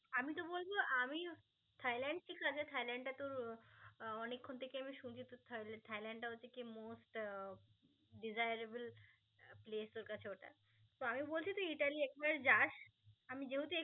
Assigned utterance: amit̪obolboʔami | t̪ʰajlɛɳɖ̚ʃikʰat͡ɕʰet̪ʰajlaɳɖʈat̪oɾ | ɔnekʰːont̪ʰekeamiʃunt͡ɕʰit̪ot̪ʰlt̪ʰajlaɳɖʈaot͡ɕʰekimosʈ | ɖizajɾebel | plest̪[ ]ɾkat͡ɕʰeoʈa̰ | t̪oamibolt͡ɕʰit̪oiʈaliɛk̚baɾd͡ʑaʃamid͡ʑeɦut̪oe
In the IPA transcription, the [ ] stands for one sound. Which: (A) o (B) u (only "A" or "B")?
A